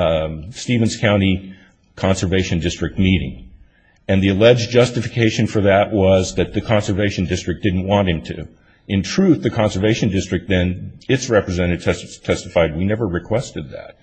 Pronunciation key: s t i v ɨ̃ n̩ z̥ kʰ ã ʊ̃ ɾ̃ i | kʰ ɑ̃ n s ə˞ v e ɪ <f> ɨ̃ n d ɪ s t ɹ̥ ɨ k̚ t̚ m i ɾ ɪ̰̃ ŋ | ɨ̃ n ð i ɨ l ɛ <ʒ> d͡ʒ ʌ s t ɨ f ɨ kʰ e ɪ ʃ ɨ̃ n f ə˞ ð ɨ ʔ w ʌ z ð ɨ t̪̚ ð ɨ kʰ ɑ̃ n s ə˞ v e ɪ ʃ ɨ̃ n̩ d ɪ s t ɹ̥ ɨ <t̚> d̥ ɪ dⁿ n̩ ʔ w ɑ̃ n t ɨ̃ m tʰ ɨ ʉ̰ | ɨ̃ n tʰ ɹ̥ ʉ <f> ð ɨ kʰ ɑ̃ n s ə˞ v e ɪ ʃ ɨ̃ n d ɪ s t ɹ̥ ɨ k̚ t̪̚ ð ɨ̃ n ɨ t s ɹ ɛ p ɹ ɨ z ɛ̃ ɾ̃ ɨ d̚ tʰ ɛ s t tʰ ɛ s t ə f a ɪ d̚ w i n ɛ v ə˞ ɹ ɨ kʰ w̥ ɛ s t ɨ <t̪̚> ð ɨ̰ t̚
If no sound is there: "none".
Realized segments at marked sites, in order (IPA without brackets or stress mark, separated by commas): ʃ, d͡ʒ, k̚, θ, d̪̚